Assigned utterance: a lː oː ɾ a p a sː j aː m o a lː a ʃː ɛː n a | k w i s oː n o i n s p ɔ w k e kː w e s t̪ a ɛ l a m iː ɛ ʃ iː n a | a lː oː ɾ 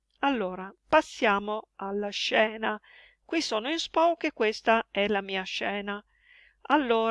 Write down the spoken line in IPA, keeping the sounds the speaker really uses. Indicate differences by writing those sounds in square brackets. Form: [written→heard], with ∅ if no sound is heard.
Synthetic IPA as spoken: a lː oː ɾ a p a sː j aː m o a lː a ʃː ɛː n a | k w i s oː n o i n s p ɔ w k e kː w e s t̪ a ɛ l a m iː [ɛ→a] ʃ [iː→ɛː] n a | a lː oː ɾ